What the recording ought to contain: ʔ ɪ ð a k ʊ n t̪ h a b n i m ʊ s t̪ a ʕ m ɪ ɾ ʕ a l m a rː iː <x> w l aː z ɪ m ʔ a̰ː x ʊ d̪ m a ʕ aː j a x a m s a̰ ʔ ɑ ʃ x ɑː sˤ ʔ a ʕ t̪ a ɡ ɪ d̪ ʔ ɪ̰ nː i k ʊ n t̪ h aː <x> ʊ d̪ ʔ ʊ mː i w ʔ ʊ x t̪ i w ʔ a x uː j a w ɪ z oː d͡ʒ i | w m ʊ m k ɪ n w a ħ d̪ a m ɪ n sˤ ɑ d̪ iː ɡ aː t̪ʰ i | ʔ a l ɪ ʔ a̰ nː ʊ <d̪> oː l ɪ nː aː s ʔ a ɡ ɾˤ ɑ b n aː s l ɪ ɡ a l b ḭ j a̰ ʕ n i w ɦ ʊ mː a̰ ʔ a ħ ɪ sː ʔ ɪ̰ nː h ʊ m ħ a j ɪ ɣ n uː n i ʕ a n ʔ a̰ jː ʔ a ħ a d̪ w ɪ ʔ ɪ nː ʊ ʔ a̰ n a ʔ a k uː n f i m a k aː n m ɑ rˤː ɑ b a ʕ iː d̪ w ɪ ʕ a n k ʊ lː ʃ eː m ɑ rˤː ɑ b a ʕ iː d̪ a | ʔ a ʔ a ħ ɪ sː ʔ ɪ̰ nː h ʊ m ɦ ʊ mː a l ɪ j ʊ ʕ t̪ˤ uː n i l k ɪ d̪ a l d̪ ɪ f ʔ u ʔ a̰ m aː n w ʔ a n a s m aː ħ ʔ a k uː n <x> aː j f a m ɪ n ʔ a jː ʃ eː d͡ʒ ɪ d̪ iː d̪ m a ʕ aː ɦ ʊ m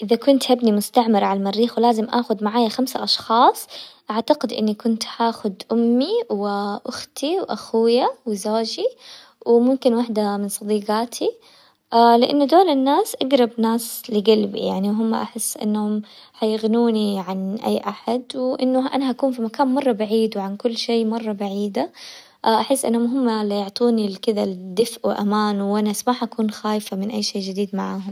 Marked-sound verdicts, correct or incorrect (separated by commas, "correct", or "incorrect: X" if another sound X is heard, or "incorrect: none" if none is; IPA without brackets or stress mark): correct, correct, correct, correct